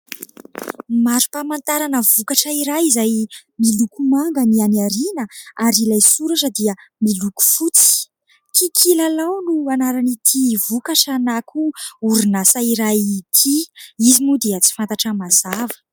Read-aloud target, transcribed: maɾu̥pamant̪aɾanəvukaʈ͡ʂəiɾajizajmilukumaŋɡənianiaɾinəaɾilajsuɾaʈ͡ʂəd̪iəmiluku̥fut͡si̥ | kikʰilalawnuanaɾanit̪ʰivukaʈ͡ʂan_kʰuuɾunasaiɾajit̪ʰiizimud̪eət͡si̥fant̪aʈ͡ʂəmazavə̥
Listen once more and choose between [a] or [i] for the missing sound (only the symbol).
a